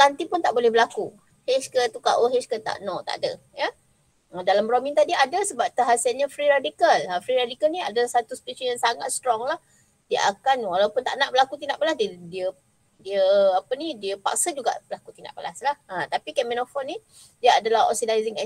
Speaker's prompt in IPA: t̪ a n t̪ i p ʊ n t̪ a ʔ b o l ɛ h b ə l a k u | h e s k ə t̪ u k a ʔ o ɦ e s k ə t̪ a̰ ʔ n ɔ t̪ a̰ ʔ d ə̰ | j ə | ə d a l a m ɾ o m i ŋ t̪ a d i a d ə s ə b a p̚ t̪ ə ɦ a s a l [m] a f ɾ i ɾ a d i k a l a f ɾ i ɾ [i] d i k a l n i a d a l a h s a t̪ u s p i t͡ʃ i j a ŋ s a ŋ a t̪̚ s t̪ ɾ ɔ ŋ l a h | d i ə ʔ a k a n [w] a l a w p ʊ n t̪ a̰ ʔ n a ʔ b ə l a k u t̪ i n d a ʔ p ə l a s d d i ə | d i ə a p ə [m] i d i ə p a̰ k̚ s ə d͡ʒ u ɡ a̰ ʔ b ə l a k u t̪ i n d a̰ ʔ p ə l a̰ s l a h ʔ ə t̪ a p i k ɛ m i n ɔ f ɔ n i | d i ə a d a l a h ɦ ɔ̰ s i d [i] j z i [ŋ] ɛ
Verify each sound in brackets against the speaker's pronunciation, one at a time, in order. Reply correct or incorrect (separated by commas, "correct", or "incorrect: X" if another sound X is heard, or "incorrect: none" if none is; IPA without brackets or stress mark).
incorrect: ɲ, incorrect: a, correct, incorrect: n, incorrect: a, correct